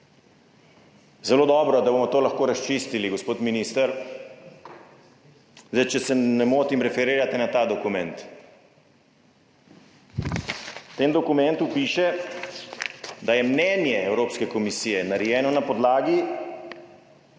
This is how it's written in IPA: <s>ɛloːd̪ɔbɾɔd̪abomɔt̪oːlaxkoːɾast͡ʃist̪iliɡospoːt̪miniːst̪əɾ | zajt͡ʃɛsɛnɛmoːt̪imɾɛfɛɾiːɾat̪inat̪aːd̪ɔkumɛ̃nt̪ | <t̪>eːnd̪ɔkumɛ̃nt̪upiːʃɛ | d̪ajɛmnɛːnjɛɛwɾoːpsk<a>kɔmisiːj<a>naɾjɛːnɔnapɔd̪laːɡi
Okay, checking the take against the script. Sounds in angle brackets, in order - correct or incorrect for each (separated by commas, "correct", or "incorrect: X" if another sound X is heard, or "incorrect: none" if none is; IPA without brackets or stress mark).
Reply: incorrect: z, correct, incorrect: ɛ, incorrect: ɛ